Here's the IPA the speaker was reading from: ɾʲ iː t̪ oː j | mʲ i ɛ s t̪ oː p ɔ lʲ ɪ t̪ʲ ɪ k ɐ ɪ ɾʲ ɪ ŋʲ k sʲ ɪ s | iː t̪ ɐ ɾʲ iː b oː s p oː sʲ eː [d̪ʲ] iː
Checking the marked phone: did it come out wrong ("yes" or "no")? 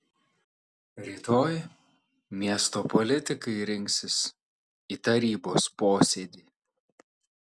no